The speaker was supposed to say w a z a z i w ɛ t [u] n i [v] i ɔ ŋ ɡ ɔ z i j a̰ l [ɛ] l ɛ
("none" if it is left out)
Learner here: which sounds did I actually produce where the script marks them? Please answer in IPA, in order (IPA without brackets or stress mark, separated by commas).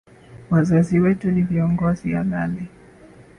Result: u, v, a